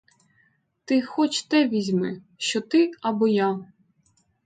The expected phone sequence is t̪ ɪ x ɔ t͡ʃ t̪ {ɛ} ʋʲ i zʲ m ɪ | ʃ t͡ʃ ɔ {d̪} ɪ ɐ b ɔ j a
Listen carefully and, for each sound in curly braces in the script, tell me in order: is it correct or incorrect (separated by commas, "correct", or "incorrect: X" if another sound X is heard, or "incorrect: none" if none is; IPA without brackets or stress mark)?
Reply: correct, incorrect: t̪